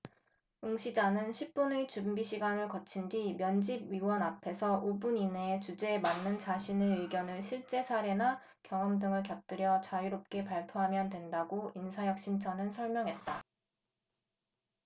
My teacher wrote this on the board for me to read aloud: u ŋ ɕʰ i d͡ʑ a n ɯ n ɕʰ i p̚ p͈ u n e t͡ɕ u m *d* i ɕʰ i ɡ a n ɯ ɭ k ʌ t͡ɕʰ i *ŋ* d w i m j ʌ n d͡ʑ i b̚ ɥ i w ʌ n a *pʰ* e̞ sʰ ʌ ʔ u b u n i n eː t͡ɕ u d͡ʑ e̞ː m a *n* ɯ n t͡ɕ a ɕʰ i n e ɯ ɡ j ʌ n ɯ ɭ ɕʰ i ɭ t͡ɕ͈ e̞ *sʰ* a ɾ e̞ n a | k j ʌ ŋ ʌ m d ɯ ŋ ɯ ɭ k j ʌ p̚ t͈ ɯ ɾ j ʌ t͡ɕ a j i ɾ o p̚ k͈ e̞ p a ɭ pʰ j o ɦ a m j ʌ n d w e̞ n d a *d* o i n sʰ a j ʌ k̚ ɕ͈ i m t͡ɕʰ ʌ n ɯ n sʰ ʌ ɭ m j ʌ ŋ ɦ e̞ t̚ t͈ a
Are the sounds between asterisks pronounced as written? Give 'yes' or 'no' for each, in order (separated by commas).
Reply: no, no, yes, no, yes, no